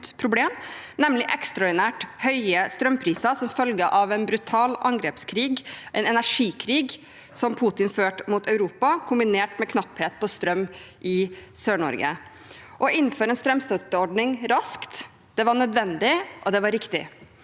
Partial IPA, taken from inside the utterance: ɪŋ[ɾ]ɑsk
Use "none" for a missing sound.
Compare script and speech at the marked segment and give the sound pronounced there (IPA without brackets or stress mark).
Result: ɾ